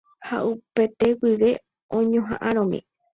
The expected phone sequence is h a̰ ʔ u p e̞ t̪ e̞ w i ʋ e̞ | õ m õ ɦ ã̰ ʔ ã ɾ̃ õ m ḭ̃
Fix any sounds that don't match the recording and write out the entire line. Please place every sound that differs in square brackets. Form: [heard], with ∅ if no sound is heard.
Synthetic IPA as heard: h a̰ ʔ u p e̞ t̪ e̞ w i ʋ e̞ | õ [ɲ] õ ɦ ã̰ ʔ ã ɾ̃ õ m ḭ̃